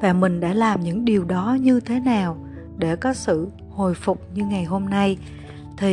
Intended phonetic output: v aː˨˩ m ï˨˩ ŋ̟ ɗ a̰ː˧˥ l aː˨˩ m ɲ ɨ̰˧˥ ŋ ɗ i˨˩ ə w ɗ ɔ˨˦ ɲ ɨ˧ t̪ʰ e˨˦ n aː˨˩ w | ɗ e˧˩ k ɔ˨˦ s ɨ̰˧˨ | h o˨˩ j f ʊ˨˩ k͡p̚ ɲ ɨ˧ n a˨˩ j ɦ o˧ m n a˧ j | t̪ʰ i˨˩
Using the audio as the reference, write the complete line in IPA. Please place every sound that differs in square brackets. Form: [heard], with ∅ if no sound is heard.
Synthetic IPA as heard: v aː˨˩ m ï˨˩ ŋ̟ ɗ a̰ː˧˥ l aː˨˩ m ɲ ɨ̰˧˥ ŋ ɗ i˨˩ ə w ɗ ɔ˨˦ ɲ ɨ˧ t̪ʰ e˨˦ n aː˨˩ w | ɗ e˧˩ k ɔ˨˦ s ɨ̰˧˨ | h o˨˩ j f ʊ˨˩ k͡p̚ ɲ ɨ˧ [ŋ] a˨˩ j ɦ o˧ m n a˧ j | t̪ʰ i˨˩